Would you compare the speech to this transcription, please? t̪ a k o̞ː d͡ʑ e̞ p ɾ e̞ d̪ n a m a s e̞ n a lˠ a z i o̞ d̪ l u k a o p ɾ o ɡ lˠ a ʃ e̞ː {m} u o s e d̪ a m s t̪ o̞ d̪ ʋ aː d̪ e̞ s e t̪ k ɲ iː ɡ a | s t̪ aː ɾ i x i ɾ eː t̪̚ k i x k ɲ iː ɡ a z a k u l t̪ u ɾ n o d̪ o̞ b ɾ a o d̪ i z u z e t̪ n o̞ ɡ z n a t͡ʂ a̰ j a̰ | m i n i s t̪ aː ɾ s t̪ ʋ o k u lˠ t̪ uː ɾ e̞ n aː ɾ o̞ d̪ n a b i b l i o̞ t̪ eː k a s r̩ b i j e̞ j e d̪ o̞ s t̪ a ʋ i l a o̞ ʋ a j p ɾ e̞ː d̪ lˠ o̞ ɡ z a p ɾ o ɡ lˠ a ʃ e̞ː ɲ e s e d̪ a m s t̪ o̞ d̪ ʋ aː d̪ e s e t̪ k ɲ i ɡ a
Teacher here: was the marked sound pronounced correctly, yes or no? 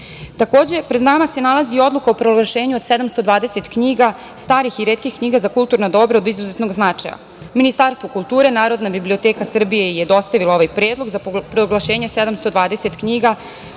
no